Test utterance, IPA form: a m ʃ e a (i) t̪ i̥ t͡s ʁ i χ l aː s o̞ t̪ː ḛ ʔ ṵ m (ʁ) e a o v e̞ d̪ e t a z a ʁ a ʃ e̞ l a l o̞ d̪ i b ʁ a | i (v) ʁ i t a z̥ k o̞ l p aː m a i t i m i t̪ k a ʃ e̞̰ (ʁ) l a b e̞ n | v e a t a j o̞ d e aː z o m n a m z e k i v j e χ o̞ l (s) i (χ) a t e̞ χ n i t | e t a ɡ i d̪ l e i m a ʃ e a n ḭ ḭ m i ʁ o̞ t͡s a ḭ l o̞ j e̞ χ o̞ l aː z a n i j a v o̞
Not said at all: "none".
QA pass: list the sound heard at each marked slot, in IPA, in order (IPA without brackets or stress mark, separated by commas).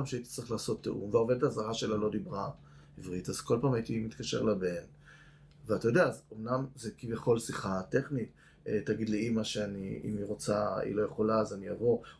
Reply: i, v, v, ʁ, s, χ